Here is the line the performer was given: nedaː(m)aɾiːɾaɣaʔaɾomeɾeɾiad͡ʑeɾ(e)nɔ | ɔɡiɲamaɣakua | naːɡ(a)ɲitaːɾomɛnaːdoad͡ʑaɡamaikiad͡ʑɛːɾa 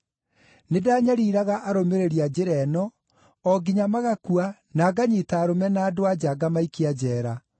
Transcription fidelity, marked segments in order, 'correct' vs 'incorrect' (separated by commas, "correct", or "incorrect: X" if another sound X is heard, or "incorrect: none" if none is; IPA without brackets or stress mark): incorrect: ɲ, incorrect: ɛ, correct